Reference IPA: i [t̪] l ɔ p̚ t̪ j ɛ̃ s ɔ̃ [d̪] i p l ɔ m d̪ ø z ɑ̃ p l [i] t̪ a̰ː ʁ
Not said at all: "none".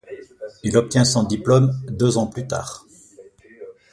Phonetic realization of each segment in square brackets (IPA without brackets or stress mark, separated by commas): none, d̪, y